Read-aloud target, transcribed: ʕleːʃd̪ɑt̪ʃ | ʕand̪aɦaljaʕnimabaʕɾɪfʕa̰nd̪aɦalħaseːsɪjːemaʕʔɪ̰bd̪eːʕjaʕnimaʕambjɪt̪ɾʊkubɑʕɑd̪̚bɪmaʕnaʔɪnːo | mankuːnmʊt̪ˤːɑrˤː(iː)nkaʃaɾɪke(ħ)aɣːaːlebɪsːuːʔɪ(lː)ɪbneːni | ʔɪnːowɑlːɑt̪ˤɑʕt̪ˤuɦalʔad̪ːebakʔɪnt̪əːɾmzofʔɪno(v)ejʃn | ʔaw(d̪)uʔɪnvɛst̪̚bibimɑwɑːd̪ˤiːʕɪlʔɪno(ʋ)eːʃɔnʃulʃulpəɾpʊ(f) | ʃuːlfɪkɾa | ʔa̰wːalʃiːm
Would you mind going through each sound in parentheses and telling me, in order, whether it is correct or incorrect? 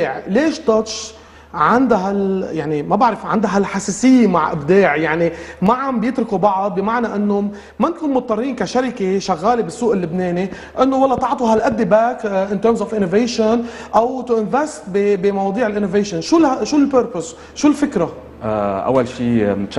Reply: correct, incorrect: ʃ, correct, correct, incorrect: t̪, incorrect: v, incorrect: s

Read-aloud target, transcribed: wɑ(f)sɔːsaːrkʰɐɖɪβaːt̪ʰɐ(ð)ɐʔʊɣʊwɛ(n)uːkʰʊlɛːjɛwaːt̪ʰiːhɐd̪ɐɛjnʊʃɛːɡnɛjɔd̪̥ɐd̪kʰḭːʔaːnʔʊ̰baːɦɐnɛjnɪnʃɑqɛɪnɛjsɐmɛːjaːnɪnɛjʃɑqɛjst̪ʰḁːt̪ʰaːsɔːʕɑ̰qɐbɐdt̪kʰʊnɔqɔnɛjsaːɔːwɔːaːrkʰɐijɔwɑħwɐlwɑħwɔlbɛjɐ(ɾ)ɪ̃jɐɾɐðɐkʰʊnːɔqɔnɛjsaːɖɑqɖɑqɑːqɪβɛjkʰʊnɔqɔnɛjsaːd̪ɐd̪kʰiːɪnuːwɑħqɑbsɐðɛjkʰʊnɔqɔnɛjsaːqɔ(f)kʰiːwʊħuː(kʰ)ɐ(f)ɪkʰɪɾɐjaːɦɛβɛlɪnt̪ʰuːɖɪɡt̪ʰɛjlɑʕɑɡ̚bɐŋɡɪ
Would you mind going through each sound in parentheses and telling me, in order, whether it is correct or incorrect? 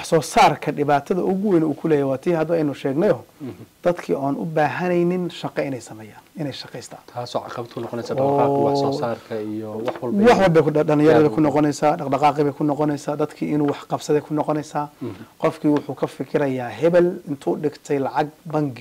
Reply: incorrect: ħ, correct, correct, incorrect: l, correct, correct, correct

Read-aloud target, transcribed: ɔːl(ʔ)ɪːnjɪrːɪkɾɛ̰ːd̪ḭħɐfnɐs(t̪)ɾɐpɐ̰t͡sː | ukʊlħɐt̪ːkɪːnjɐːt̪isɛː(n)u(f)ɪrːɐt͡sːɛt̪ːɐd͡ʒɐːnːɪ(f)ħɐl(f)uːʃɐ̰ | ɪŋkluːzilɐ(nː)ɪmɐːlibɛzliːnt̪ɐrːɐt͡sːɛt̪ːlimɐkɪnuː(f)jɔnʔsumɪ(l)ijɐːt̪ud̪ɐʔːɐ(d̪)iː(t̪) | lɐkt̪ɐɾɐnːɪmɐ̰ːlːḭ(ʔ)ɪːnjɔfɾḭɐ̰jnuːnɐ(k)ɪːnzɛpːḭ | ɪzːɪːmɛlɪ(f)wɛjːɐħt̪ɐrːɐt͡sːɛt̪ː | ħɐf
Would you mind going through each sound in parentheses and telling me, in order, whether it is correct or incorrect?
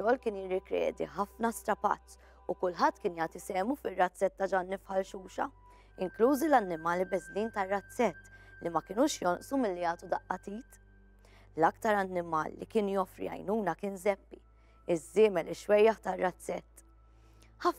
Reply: incorrect: k, correct, incorrect: m, correct, correct, incorrect: ʃ, correct, incorrect: ʃ, incorrect: lː, incorrect: t̪, correct, incorrect: k, correct, incorrect: ʃ

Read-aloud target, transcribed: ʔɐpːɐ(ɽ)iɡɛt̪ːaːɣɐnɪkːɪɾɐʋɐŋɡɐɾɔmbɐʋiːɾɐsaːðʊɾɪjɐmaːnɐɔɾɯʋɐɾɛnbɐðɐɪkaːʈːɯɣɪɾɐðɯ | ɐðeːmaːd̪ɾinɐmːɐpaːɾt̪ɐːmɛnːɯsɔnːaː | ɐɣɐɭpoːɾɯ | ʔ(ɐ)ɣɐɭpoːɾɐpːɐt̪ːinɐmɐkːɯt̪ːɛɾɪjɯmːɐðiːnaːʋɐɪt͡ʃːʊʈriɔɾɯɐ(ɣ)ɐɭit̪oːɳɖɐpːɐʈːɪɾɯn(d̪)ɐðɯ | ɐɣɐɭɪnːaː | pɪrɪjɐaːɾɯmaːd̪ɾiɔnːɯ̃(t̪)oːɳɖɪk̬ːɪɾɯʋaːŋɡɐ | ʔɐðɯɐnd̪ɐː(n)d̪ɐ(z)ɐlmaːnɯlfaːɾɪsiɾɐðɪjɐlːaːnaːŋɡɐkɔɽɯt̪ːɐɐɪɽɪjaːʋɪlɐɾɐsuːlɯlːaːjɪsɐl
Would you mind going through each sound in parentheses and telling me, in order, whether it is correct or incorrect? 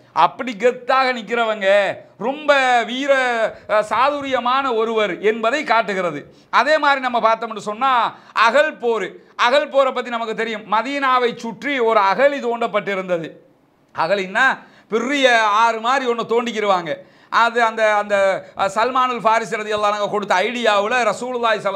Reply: correct, correct, correct, correct, correct, correct, incorrect: s

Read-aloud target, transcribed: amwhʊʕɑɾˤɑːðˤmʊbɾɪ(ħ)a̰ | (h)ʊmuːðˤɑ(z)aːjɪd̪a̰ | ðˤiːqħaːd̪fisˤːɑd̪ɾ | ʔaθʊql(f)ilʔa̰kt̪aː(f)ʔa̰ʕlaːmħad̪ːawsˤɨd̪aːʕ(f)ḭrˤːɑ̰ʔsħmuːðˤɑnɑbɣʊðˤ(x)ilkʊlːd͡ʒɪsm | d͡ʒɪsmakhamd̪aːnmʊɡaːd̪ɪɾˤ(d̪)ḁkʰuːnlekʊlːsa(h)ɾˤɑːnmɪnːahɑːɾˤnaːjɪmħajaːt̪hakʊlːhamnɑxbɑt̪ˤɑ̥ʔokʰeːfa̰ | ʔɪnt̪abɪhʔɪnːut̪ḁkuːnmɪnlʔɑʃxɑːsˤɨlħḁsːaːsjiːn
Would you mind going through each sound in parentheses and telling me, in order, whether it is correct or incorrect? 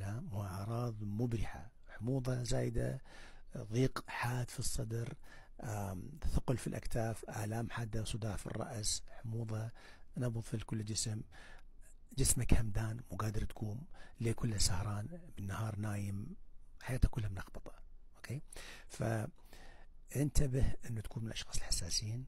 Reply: correct, incorrect: ħ, correct, correct, correct, correct, incorrect: f, incorrect: t̪, correct

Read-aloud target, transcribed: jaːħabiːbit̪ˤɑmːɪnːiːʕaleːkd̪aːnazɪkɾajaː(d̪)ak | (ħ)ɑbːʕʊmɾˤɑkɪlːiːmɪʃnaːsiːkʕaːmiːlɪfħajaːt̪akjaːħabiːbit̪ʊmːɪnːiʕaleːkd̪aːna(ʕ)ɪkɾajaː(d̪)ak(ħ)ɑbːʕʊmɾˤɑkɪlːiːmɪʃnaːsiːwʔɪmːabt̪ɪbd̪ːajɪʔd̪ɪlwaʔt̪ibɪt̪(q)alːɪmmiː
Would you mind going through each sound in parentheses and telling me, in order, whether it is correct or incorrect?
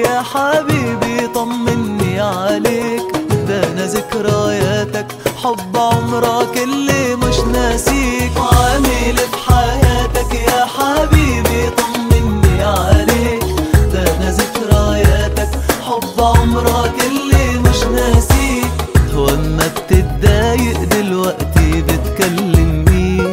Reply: incorrect: t̪, correct, incorrect: z, incorrect: t̪, correct, incorrect: k

